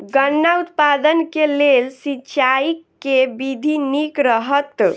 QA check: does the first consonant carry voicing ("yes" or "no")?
yes